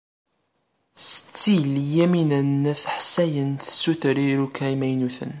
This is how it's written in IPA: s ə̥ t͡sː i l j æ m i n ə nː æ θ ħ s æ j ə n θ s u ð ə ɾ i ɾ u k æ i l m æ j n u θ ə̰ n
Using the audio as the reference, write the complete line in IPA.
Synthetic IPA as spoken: s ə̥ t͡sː i l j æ m i n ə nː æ θ ħ s æ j ə n θ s u θ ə ɾ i ɾ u k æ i m æ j n u θ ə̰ n